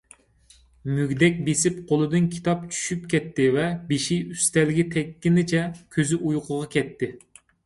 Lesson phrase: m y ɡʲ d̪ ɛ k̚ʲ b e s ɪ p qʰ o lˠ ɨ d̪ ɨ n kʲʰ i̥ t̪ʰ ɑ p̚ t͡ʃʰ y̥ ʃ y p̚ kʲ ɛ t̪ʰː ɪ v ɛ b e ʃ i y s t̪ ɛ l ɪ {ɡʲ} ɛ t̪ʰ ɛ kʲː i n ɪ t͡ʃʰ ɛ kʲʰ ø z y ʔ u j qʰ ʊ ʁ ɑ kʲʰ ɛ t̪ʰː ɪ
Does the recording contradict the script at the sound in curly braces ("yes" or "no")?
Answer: no